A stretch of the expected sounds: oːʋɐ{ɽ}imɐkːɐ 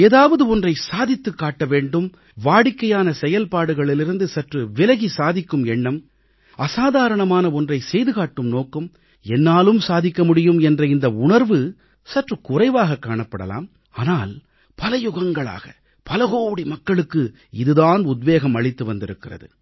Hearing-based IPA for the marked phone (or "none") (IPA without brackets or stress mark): ɽ